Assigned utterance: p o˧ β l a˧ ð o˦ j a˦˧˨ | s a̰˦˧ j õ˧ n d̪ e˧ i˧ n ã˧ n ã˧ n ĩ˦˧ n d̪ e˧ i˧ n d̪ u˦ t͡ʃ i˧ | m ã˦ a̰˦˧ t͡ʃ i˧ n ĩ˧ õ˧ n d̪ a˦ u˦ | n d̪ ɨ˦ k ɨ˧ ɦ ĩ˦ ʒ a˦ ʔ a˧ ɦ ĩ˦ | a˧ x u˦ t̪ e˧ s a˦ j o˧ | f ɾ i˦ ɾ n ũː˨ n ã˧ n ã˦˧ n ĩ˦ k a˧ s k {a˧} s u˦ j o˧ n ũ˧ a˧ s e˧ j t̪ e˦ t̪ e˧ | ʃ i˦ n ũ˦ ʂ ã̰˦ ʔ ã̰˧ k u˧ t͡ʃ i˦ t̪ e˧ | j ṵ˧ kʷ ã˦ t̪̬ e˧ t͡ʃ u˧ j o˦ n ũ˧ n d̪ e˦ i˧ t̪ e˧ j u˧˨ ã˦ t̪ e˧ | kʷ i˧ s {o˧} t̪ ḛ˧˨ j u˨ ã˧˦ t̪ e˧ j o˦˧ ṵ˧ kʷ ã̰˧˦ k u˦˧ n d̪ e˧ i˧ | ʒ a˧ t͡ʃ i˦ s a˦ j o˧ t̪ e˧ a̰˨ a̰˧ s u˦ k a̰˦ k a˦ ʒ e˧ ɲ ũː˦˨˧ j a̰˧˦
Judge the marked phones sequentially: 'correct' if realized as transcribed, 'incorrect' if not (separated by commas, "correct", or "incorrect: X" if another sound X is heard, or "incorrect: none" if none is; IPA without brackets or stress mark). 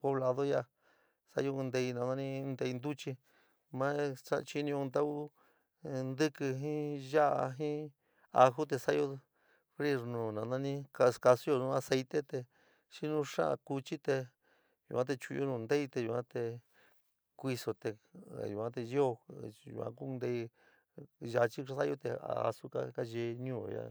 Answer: correct, correct